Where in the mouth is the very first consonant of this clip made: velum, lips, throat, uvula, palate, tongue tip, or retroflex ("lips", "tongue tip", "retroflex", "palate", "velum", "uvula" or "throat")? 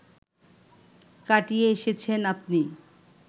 velum